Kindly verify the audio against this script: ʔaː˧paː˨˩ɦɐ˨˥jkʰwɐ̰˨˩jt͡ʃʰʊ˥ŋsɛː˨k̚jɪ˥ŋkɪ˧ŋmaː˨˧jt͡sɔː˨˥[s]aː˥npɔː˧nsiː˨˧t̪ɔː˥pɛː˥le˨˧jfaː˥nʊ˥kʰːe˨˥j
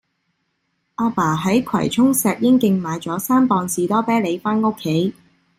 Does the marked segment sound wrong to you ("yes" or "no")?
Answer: no